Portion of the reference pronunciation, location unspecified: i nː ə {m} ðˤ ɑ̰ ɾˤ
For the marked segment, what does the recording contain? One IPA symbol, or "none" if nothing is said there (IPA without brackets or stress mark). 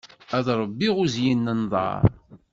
n